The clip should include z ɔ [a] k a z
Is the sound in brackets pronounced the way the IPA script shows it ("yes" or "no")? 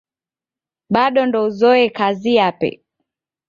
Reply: no